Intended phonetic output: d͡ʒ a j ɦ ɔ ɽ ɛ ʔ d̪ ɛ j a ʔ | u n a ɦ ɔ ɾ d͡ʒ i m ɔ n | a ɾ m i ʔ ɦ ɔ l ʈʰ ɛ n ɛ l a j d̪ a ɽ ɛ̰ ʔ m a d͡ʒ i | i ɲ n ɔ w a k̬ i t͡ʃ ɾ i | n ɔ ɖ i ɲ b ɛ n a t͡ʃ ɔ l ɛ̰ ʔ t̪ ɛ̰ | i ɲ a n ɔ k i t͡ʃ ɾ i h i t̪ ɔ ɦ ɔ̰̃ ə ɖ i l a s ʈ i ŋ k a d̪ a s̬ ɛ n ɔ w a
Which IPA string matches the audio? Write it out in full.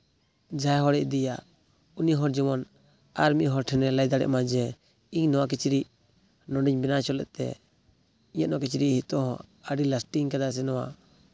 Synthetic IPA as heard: d͡ʒ a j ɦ ɔ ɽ ɛ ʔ d̪ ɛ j a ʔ | u n i ɦ ɔ ɾ d͡ʒ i m ɔ n | a ɾ m i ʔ ɦ ɔ ɾ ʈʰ ɛ n ɛ l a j d̪ a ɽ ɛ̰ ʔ m a d͡ʒ ɛ | i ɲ n ɔ w a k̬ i t͡ʃ ɾ i | n ɔ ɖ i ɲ b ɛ n a t͡ʃ ɔ l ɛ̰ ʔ t̪ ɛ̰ | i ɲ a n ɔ k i t͡ʃ ɾ i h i t̪ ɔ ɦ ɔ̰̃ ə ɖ i l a s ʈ i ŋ k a d̪ a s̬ ɛ n ɔ w a